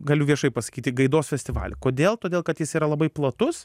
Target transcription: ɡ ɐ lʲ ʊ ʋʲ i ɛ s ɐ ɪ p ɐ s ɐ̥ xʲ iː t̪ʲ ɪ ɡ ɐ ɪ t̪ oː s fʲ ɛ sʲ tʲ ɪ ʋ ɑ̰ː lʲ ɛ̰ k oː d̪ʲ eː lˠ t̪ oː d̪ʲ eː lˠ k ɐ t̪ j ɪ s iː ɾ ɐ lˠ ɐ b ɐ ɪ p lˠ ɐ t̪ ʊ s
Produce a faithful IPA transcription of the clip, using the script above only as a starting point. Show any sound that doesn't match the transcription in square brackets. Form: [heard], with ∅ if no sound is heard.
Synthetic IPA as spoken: ɡ ɐ lʲ ʊ ʋʲ i ɛ [ʃ] ɐ ɪ p ɐ s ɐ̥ [kʲ] iː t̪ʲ ɪ ɡ ɐ ɪ [d̪] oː s fʲ ɛ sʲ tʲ ɪ ʋ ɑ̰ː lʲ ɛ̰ k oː d̪ʲ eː lˠ t̪ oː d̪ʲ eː lˠ k ɐ t̪ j ɪ s iː ɾ ɐ lˠ ɐ b ɐ ɪ p lˠ ɐ t̪ ʊ s